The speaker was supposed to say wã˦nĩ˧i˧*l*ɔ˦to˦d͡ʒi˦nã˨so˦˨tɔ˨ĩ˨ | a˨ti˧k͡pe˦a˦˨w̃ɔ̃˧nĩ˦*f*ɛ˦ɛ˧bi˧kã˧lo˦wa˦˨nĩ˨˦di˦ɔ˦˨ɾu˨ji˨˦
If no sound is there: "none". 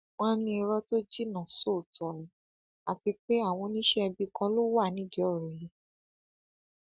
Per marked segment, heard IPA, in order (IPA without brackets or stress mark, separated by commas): ɾ, ʃ